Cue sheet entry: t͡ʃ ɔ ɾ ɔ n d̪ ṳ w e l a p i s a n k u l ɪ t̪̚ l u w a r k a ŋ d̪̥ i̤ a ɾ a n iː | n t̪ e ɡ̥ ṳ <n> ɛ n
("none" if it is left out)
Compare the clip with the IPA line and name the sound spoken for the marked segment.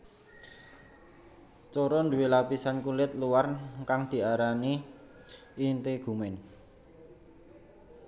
m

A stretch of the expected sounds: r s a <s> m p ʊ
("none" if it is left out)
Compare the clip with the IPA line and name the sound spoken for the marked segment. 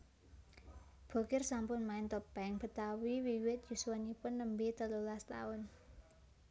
none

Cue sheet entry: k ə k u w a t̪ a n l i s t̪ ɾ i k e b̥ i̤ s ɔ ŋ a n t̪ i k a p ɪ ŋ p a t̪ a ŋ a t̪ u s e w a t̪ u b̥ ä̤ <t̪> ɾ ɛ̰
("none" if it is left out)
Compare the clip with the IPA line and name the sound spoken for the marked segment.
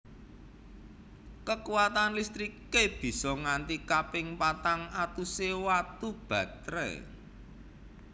t̪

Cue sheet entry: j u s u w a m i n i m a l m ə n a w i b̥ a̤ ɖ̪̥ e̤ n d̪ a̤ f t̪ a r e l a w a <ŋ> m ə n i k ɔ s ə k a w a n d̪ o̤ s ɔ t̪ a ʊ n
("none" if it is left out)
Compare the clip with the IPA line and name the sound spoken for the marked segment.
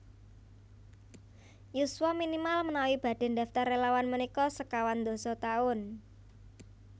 n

